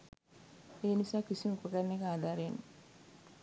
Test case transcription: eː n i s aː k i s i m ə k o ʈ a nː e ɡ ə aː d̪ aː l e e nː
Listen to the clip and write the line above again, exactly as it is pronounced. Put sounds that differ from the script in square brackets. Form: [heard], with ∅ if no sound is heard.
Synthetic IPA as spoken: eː n i s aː k i s i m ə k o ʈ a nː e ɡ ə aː d̪ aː [ɾ] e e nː